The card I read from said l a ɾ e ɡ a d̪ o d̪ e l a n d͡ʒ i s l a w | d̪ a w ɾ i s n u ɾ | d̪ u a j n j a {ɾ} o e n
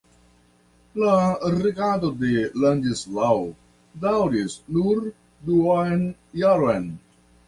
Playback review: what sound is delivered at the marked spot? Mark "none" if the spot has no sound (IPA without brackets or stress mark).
ɾ